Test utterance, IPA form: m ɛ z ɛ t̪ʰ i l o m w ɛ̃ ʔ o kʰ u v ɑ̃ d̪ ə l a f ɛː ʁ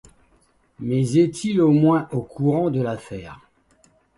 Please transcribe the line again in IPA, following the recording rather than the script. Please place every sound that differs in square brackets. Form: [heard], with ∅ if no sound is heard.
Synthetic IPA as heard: m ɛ z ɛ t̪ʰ i l o m w ɛ̃ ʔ o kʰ u [ʁ] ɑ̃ d̪ ə l a f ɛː ʁ